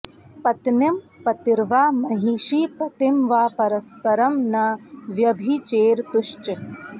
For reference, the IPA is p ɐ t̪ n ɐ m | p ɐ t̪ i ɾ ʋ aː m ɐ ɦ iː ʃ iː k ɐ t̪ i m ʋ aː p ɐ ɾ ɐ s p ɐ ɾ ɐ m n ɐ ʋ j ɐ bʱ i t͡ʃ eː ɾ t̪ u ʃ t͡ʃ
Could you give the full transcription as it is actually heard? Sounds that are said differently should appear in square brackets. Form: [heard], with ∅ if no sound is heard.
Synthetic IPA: p ɐ t̪ n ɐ m | p ɐ t̪ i ɾ ʋ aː m ɐ ɦ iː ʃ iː [p] ɐ t̪ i m ʋ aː p ɐ ɾ ɐ s p ɐ ɾ ɐ m n ɐ ʋ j ɐ bʱ i t͡ʃ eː ɾ t̪ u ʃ t͡ʃ